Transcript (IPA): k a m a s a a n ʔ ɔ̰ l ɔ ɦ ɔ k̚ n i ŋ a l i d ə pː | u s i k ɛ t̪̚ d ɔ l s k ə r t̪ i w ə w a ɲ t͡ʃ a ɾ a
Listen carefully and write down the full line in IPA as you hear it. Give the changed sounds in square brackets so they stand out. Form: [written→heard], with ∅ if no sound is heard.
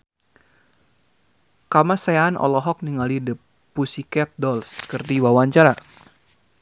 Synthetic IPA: k a m a s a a n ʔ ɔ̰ l ɔ ɦ ɔ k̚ n i ŋ a l i d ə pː | u s i k ɛ t̪̚ d ɔ l s k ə r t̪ i w [ə→a] w a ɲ t͡ʃ a ɾ a